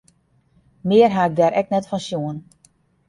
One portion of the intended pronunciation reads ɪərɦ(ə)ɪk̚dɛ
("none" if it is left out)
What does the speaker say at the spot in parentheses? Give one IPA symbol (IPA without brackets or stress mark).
a